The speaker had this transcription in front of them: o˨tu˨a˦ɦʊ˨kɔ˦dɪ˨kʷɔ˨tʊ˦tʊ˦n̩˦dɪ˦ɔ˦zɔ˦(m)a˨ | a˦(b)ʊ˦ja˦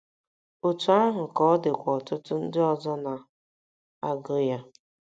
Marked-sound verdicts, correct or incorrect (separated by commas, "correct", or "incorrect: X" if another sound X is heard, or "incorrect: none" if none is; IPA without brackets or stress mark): incorrect: n, incorrect: ɡ